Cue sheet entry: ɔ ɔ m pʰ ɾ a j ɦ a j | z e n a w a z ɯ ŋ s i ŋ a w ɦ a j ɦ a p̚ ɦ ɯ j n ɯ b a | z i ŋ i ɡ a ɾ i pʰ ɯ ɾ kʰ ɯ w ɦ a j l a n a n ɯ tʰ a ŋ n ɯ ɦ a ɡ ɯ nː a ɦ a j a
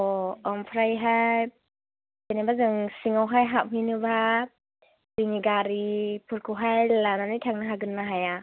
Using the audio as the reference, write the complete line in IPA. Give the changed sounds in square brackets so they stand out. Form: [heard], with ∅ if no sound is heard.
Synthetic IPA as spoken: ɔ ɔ m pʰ ɾ a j ɦ a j | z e n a [b] a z ɯ ŋ s i ŋ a w ɦ a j ɦ a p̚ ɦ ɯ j n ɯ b a | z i ŋ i ɡ a ɾ i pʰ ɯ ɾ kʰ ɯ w ɦ a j l a n a n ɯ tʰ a ŋ n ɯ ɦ a ɡ ɯ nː a ɦ a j a